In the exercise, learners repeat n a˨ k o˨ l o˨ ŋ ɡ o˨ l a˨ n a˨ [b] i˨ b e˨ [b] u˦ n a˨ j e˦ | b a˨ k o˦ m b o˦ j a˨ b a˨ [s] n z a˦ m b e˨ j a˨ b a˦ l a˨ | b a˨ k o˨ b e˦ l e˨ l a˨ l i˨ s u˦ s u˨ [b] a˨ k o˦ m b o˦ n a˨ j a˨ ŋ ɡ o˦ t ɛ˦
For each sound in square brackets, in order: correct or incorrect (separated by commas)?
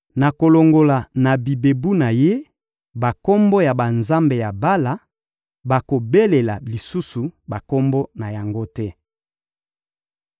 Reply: correct, correct, incorrect, correct